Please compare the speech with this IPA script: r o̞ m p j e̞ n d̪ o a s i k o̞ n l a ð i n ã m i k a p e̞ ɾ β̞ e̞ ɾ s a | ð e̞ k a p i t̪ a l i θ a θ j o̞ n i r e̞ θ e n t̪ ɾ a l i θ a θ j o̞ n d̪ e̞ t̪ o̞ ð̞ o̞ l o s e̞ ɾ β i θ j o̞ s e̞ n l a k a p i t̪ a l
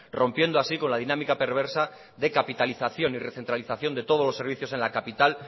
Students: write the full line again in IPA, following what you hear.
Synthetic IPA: r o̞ m p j e̞ n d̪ o a s i k o̞ n l a ð i n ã m i k a p e̞ ɾ β̞ e̞ ɾ s a | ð e̞ k a p i t̪ a l i θ a θ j o̞ n i r e̞ θ e n t̪ ɾ a l i θ a θ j o̞ n d̪ e̞ t̪ o̞ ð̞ o̞ l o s e̞ ɾ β i θ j o̞ s e̞ n l a k a p i t̪ a l